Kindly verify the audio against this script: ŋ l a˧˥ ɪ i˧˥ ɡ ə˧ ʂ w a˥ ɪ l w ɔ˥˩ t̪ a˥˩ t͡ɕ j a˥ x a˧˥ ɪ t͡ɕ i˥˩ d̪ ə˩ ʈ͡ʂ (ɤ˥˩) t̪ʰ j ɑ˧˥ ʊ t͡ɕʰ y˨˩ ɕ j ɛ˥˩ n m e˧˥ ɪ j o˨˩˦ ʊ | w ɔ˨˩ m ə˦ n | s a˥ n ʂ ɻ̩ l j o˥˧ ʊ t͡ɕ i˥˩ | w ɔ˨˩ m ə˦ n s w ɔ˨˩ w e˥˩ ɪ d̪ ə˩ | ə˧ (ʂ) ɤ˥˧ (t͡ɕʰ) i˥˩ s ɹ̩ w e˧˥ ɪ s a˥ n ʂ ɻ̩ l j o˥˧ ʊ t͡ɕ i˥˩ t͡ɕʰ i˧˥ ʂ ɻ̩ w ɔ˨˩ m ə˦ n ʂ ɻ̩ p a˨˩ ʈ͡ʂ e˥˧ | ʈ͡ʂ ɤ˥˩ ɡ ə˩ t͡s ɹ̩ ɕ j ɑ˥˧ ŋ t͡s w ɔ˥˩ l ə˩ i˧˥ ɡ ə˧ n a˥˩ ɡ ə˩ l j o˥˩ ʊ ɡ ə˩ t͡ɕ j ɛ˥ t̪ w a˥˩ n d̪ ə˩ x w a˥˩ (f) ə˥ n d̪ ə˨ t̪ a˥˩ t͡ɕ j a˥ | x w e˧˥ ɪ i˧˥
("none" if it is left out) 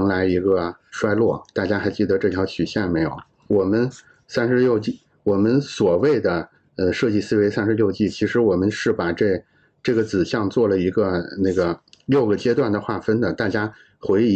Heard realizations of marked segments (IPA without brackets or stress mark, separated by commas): ɤ˥˩, ʂ, t͡ɕ, f